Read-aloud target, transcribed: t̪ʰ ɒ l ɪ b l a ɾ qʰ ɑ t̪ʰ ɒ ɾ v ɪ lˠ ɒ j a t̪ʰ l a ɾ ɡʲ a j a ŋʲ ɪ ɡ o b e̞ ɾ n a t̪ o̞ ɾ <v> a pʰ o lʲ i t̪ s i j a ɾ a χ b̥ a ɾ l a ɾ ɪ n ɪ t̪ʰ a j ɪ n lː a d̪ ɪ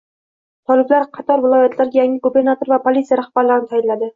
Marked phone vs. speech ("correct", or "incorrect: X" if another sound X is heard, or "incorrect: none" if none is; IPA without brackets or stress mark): correct